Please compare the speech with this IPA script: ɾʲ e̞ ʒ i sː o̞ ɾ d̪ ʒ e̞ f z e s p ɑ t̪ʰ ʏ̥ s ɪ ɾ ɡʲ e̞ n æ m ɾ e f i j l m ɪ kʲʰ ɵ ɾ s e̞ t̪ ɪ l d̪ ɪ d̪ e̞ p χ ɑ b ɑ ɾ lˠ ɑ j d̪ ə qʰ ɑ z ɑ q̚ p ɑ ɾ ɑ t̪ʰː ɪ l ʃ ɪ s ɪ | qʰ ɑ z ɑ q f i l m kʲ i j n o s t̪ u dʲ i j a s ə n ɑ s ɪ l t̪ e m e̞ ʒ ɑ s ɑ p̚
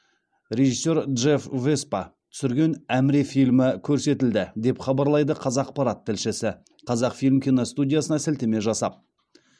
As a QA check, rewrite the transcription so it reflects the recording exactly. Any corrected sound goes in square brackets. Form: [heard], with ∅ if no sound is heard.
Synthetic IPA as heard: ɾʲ e̞ ʒ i sː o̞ ɾ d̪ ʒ e̞ f [v] e s p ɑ t̪ʰ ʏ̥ s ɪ ɾ ɡʲ e̞ n æ m ɾ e f i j l m ɪ kʲʰ ɵ ɾ s e̞ t̪ ɪ l d̪ ɪ d̪ e̞ p χ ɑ b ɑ ɾ lˠ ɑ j d̪ ə qʰ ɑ z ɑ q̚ p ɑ ɾ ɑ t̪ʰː ɪ l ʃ ɪ s ɪ | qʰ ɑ z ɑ q f i l m kʲ i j n o s t̪ u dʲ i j a s ə n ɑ s ɪ l t̪ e m e̞ ʒ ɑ s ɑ p̚